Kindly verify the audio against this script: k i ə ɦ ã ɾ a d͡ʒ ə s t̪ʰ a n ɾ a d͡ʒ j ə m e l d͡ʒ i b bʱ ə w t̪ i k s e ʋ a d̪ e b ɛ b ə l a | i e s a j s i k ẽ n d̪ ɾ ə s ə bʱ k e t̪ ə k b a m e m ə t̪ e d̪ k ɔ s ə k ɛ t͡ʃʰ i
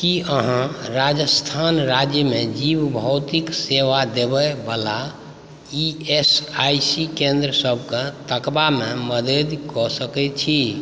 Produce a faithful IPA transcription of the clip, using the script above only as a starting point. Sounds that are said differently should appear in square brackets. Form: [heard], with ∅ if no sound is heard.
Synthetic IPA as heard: k i ə ɦ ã ɾ a d͡ʒ ə s t̪ʰ a n ɾ a d͡ʒ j ə m e [∅] d͡ʒ i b bʱ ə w t̪ i k s e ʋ a d̪ e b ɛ b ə l a | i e s a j s i k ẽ n d̪ ɾ ə s ə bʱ k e t̪ ə k b a m e m ə [d̪] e d̪ k ɔ s ə k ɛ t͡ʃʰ i